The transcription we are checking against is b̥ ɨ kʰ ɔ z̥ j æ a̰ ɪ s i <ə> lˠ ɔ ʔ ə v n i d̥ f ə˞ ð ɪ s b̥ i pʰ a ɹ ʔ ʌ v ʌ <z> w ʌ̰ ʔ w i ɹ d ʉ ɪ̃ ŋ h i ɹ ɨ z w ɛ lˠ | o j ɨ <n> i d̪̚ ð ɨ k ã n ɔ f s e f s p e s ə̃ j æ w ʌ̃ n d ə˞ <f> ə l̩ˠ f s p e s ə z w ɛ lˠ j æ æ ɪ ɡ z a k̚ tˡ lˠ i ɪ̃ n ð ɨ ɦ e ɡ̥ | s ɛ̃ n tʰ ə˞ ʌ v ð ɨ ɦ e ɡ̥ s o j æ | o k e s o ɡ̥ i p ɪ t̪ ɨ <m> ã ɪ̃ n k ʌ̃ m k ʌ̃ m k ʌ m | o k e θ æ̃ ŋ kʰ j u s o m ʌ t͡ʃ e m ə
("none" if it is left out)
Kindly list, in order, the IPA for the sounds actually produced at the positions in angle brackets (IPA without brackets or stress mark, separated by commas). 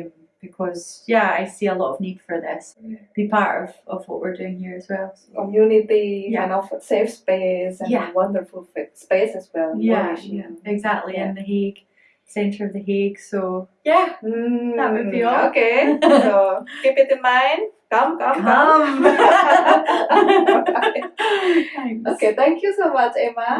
ə, v, n, f, m